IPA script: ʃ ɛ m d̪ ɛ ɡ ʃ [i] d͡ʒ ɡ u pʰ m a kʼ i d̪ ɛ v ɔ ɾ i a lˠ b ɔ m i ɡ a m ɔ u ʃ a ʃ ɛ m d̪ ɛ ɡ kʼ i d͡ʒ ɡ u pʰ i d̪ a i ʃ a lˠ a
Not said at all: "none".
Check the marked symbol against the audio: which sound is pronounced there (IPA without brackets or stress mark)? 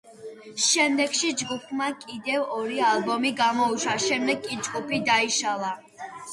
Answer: i